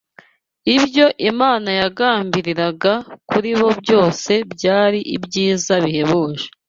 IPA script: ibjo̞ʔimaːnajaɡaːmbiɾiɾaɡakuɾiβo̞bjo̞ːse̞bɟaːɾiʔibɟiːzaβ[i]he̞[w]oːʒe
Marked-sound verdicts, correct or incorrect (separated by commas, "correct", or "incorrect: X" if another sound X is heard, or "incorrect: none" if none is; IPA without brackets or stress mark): correct, incorrect: β